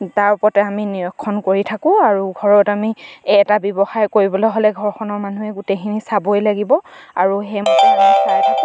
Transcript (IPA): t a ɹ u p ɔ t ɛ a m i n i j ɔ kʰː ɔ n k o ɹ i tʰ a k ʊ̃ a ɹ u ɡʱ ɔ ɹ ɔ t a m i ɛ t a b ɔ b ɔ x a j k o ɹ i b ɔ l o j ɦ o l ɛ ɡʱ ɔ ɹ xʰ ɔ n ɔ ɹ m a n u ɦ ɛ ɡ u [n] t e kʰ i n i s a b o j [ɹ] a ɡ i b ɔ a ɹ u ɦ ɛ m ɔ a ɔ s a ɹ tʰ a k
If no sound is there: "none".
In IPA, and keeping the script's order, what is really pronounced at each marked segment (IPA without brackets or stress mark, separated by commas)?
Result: none, l